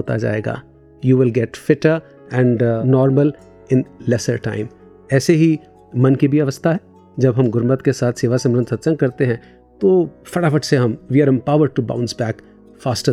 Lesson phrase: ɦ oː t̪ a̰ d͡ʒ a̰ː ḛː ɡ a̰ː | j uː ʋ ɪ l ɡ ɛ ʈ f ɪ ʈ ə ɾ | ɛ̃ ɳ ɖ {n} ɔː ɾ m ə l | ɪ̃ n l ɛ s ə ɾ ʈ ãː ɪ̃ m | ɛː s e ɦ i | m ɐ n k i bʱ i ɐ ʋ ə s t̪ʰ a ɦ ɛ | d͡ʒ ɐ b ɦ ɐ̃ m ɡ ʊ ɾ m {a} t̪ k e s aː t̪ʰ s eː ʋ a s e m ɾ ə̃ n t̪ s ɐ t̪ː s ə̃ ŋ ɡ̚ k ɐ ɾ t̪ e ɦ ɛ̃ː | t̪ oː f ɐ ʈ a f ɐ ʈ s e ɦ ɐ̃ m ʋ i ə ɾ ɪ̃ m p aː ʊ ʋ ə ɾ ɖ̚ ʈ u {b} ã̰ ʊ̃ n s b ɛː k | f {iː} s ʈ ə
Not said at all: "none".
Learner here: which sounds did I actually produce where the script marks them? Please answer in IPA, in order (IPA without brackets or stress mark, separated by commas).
n, ə, b, aː